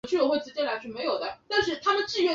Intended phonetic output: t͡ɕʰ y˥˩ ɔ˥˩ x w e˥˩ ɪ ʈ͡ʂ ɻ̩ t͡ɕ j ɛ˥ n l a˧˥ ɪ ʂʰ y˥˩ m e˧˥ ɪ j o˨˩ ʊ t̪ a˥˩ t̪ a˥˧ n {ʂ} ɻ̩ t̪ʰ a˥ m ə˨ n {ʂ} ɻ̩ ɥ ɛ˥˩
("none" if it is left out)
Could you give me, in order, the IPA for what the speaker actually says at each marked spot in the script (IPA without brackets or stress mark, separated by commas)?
ʂ, ʈ͡ʂ